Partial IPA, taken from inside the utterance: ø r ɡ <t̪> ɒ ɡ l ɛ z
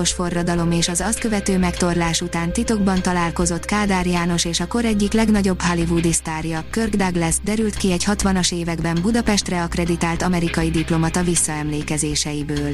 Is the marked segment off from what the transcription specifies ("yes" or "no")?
yes